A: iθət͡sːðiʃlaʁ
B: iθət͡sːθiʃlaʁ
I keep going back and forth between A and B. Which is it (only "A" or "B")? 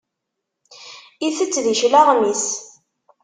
A